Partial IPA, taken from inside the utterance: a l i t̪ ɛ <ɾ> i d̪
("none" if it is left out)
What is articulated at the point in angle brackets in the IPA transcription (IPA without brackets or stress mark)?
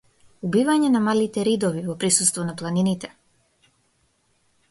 ɾ